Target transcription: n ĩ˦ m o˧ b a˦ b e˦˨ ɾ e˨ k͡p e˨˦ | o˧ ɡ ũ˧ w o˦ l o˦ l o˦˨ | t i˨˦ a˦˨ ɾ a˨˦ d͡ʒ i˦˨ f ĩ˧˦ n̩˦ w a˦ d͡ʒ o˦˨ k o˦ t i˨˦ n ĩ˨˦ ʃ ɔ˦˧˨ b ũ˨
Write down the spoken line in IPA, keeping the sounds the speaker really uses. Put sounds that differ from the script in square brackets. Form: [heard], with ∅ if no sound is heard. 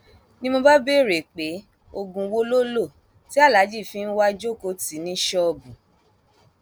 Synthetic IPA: n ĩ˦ m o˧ b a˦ b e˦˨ ɾ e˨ k͡p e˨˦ | o˧ ɡ ũ˧ w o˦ l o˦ l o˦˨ | t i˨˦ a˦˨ [l] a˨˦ d͡ʒ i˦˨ f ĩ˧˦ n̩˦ w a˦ d͡ʒ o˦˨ k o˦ t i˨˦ n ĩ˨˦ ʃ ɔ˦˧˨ b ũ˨